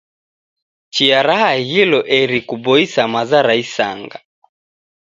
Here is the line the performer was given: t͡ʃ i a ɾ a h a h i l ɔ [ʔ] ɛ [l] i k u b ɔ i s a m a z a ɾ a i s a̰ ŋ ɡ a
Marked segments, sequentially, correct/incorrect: correct, incorrect

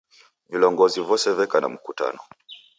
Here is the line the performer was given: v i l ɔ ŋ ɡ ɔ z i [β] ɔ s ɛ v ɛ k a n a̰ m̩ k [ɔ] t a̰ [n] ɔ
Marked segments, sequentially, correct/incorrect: incorrect, incorrect, correct

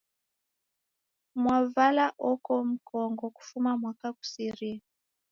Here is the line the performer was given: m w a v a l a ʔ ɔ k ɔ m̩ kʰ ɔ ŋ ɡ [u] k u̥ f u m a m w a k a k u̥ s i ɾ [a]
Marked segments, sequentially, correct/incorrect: incorrect, incorrect

